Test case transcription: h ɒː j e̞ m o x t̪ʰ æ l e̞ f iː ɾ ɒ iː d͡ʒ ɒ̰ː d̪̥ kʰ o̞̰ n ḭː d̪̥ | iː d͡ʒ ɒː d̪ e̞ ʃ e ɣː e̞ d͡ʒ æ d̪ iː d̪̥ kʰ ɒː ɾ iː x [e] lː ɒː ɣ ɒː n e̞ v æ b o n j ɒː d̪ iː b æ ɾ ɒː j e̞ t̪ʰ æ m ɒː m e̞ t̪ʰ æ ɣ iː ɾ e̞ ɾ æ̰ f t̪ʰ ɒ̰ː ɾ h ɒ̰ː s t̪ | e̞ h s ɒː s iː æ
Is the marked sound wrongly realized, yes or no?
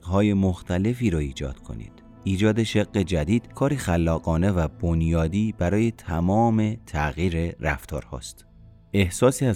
yes